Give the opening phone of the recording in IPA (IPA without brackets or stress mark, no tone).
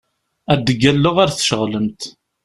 æ